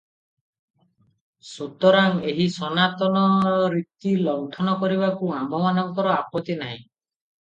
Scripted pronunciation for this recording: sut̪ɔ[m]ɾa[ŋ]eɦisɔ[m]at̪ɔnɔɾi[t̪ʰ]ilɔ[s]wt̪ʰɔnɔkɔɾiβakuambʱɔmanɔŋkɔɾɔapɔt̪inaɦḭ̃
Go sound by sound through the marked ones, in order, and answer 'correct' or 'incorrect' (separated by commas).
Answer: incorrect, correct, incorrect, incorrect, incorrect